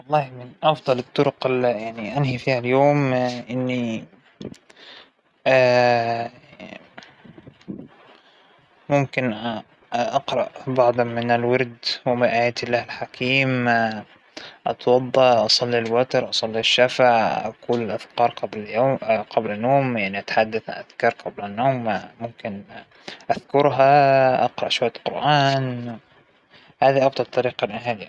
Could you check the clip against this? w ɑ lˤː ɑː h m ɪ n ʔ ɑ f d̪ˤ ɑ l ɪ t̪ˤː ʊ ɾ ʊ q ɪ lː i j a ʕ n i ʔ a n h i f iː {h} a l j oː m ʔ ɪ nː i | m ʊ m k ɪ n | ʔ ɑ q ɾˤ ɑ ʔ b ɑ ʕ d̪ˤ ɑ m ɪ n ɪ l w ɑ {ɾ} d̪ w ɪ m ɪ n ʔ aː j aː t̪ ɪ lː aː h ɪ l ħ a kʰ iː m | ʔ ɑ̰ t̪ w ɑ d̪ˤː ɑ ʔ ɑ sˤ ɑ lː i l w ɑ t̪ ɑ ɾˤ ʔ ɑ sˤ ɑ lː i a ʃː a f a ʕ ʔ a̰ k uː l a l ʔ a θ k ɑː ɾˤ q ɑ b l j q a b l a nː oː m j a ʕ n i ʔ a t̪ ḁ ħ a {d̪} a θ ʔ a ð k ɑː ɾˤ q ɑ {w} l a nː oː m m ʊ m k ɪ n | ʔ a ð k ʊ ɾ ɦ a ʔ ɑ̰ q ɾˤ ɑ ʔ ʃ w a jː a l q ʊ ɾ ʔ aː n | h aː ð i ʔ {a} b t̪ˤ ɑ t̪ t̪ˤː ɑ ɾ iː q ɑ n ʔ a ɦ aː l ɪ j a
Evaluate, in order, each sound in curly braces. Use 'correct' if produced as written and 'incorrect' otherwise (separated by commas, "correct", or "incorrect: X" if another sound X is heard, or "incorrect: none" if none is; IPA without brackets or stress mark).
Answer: correct, correct, incorrect: d̪ː, incorrect: b, incorrect: ɑ